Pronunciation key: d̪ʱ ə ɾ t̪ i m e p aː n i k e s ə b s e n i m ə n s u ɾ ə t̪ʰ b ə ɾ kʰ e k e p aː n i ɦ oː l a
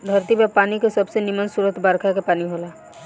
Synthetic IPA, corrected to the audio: d̪ʱ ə ɾ t̪ i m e p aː n i k e s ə b s e n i m ə n s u ɾ ə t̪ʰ b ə ɾ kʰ a k e p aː n i ɦ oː l a